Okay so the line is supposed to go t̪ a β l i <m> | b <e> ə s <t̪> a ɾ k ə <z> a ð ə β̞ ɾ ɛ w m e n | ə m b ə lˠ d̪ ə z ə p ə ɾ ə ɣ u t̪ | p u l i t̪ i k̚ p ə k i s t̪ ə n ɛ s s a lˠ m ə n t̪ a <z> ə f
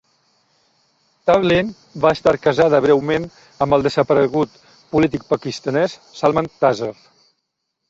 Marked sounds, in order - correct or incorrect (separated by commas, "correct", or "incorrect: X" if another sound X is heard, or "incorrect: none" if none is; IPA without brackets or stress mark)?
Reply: incorrect: n, incorrect: a, correct, correct, correct